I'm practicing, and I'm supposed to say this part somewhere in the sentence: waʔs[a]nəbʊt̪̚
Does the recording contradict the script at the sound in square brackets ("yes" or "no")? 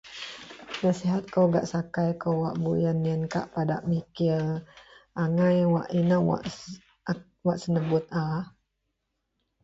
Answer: yes